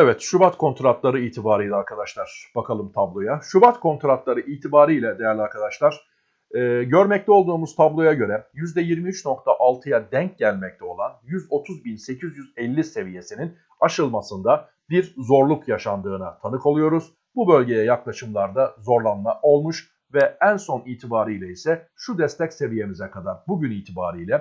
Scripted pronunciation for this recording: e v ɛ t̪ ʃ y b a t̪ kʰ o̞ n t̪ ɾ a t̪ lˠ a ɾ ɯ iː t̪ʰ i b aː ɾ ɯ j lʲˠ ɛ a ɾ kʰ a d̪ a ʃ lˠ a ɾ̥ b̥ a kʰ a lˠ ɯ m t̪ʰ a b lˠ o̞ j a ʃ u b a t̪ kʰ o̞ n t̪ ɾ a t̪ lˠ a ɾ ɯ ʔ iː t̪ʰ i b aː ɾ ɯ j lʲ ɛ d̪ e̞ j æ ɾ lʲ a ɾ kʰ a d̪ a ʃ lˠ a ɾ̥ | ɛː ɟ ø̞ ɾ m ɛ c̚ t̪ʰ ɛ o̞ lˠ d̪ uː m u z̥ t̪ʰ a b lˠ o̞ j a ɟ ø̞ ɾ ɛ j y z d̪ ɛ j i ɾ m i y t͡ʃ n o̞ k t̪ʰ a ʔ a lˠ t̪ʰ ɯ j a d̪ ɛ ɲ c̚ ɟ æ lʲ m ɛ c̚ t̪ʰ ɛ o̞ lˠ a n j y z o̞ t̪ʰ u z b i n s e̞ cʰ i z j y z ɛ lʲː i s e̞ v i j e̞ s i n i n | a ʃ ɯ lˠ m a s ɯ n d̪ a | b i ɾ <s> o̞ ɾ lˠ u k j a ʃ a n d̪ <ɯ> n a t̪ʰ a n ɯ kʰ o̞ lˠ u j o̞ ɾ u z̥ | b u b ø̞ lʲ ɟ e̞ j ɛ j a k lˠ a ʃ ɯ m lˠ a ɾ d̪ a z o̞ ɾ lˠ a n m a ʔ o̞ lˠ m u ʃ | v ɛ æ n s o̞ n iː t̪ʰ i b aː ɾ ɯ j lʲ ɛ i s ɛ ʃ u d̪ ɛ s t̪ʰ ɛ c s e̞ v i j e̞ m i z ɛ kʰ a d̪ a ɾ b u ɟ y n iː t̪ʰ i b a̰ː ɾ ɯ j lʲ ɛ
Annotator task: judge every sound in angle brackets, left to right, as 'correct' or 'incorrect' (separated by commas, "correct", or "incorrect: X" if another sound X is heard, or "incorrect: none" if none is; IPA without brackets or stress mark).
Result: incorrect: z, incorrect: ɯː